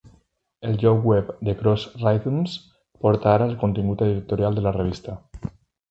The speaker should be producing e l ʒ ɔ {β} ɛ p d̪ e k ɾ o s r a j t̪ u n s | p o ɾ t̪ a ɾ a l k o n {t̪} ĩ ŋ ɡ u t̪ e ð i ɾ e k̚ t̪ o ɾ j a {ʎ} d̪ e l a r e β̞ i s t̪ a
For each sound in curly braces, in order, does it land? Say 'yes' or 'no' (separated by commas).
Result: no, yes, no